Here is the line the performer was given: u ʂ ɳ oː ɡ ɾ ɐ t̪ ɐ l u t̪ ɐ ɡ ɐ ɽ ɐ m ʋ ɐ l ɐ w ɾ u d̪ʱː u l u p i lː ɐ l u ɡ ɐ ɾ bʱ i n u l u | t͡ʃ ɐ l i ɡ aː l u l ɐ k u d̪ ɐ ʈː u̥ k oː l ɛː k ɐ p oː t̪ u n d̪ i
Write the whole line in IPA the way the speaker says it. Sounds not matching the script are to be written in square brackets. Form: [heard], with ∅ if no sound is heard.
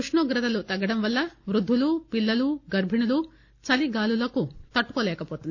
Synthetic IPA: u ʂ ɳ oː ɡ ɾ ɐ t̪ ɐ l u t̪ ɐ ɡ ɐ ɽ ɐ m ʋ ɐ [lː] ɐ [ʋ] ɾ u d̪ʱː u l u p i lː ɐ l u ɡ ɐ ɾ bʱ i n u l u | t͡ʃ ɐ l i ɡ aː l u l ɐ k u [t̪] ɐ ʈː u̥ k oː l ɛː k ɐ p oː t̪ u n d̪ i